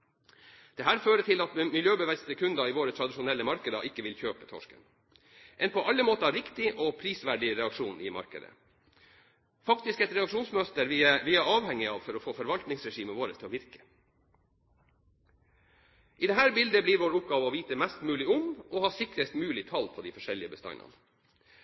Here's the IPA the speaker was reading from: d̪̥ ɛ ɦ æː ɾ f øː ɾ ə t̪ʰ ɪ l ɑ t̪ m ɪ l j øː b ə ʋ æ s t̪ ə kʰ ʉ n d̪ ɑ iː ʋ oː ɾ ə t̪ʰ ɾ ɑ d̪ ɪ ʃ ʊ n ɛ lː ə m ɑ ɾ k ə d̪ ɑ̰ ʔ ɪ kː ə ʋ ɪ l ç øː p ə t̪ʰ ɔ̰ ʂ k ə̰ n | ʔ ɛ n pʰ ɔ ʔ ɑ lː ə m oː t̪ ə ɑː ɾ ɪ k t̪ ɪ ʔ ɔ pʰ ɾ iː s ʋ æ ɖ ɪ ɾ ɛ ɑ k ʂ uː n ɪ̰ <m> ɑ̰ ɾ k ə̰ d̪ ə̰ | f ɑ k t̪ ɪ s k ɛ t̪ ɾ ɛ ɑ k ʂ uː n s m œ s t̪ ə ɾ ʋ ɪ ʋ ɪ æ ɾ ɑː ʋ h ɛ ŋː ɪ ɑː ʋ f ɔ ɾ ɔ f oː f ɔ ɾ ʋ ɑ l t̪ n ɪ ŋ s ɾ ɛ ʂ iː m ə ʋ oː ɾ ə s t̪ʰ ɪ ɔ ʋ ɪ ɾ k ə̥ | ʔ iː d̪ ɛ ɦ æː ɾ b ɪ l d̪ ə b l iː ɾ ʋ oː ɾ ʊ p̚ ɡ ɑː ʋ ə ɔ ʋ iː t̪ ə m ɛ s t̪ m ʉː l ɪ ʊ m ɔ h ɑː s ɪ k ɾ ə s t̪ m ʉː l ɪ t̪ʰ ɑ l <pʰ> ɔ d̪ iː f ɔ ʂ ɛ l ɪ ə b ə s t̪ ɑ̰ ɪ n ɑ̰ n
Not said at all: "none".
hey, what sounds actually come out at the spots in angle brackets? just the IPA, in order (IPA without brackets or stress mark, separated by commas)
m, pʰ